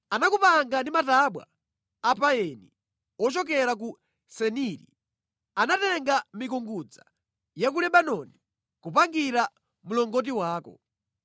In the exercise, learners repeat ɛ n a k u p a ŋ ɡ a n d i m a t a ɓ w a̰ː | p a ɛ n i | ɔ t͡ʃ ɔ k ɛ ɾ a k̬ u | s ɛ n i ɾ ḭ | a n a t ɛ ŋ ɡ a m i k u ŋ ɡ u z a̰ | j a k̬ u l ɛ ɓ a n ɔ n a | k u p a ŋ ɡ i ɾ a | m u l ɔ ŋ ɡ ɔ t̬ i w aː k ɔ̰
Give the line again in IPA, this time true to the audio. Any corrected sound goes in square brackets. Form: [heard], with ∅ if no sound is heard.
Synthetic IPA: [a] n a k u p a ŋ ɡ a n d i m a t a ɓ w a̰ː | p a ɛ n i | ɔ t͡ʃ ɔ k ɛ ɾ a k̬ u | s ɛ n i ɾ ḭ | a n a t ɛ ŋ ɡ a m i k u ŋ ɡ u [d͡z] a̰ | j a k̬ u l ɛ ɓ a n ɔ n [i] | k u p a ŋ ɡ i ɾ a | m u l ɔ ŋ ɡ ɔ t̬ i w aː k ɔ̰